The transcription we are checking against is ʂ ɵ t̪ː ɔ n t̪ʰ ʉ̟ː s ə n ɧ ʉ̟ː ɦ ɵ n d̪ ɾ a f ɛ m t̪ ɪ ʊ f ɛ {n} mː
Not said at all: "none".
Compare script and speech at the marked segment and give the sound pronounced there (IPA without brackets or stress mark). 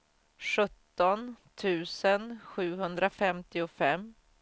none